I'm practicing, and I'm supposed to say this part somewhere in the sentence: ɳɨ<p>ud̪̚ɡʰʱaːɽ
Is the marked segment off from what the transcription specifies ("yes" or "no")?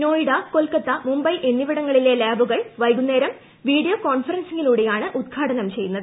yes